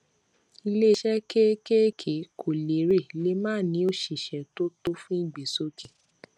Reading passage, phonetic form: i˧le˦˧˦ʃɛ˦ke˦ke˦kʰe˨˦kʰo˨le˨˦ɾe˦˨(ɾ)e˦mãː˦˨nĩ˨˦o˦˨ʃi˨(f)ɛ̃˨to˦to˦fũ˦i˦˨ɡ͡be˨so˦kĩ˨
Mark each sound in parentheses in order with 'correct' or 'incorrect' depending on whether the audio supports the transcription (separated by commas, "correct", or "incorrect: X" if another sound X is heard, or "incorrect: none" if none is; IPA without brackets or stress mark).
incorrect: l, incorrect: ʃ